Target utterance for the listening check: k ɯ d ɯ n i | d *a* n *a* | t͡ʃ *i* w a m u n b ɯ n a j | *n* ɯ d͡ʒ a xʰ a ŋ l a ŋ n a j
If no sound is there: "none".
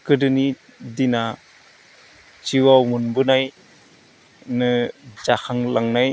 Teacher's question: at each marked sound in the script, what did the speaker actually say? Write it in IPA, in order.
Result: i, a, i, n

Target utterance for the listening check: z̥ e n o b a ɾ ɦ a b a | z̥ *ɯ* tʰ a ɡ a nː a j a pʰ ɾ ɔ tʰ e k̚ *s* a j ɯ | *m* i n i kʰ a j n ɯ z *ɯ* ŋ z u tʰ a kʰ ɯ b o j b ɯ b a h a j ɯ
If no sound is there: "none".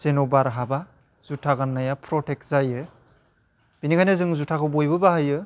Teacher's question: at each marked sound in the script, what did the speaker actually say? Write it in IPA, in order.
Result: u, z, b, ɯ

